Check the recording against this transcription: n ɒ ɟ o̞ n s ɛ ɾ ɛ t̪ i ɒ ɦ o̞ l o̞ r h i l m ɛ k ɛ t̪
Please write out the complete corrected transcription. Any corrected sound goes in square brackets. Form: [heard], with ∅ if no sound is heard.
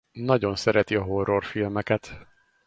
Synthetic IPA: n ɒ ɟ o̞ n s ɛ ɾ ɛ t̪ i ɒ ɦ o̞ [r] o̞ r [f] i l m ɛ k ɛ t̪